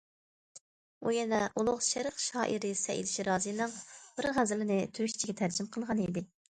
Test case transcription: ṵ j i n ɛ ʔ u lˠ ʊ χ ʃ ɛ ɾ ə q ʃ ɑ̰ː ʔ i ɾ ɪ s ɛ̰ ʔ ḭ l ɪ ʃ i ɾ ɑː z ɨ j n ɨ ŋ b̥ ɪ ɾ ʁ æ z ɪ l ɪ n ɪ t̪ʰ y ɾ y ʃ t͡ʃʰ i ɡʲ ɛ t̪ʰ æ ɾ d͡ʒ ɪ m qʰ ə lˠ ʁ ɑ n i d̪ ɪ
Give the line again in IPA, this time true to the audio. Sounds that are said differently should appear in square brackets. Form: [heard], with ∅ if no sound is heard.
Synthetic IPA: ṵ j [ɛ] n ɛ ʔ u lˠ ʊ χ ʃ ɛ ɾ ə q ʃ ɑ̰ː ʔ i ɾ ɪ s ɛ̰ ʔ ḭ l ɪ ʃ i ɾ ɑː z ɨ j n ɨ ŋ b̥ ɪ ɾ ʁ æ z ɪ l ɪ n ɪ t̪ʰ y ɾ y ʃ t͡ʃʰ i ɡʲ ɛ t̪ʰ æ ɾ d͡ʒ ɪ m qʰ ə lˠ ʁ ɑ n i d̪ ɪ